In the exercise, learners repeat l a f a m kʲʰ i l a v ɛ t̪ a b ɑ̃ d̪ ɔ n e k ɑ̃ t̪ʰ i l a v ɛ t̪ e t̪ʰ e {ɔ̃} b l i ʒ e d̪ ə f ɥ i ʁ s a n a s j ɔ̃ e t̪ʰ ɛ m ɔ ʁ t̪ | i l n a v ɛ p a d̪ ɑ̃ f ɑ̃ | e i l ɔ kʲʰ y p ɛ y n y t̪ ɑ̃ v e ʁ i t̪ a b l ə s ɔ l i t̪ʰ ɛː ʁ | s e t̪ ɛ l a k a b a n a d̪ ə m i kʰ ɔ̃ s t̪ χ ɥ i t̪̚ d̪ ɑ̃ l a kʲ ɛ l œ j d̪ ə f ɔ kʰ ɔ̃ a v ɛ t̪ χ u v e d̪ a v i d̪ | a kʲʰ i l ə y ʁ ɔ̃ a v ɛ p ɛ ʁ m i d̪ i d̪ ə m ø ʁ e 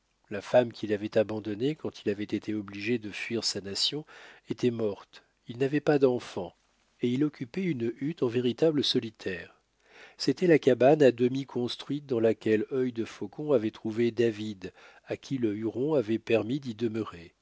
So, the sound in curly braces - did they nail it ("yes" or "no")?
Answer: no